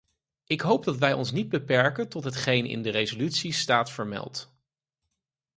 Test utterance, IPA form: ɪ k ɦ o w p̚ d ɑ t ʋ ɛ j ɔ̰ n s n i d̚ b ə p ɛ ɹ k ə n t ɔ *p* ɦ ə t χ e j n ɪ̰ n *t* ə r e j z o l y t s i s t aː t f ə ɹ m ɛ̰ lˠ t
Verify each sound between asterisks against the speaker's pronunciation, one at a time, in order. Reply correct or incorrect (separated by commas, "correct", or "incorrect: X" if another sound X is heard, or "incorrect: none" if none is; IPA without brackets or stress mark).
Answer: incorrect: t, incorrect: d